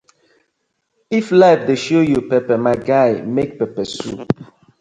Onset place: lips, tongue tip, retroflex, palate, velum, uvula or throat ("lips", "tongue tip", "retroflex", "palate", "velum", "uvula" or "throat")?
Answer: lips